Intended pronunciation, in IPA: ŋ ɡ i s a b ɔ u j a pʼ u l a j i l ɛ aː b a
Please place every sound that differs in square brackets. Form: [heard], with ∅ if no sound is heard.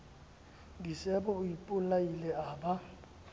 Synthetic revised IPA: ŋ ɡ i s [ɛ] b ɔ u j [i] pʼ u l a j i l ɛ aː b a